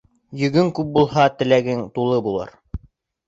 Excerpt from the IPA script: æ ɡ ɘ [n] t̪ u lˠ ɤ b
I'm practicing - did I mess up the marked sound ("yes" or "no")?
yes